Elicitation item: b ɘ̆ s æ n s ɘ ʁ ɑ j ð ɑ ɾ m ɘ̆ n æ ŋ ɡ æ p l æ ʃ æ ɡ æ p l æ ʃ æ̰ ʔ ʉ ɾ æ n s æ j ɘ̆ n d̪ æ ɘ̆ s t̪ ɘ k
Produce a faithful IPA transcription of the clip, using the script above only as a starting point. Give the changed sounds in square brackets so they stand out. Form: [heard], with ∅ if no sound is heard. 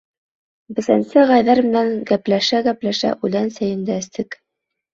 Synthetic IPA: b ɘ̆ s æ n s ɘ ʁ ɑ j ð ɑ ɾ m ɘ̆ n æ ŋ ɡ æ p l æ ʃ æ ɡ æ p l æ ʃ æ̰ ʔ ʉ [l] æ n s æ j ɘ̆ n d̪ æ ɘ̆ s t̪ ɘ k